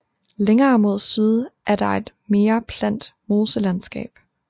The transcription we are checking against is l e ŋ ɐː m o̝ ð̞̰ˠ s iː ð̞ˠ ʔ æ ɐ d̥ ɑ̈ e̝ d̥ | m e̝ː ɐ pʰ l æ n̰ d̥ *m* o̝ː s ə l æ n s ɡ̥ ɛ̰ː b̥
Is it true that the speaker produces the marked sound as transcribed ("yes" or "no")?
yes